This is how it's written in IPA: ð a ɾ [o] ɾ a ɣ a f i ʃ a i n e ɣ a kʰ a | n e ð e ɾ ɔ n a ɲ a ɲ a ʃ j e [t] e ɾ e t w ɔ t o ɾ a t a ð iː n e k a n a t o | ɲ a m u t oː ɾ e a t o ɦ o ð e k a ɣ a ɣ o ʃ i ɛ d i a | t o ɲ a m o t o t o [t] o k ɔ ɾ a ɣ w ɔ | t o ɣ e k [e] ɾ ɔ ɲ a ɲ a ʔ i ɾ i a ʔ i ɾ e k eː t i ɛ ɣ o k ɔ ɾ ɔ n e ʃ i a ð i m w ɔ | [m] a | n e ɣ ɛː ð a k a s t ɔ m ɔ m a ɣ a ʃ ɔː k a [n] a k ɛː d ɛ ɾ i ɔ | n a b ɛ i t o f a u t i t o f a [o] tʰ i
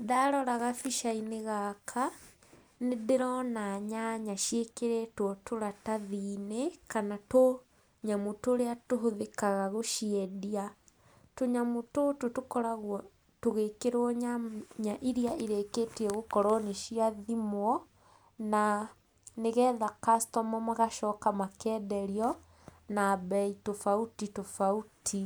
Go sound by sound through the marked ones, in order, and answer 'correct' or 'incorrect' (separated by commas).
incorrect, incorrect, correct, correct, incorrect, incorrect, incorrect